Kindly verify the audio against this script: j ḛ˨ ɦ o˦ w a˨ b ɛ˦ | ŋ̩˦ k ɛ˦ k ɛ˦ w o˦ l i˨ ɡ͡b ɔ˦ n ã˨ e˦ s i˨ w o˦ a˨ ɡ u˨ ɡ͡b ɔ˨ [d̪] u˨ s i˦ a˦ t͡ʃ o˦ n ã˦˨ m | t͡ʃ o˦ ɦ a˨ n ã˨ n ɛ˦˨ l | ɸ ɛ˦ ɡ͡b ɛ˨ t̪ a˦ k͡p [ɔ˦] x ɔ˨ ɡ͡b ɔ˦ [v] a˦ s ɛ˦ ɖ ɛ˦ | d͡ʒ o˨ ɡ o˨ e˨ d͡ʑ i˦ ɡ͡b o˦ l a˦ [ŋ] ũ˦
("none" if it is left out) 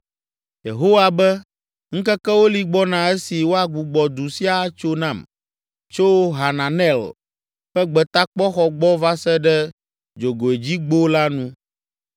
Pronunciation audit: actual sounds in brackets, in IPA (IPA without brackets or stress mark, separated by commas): d̪, ɔ˦, v, n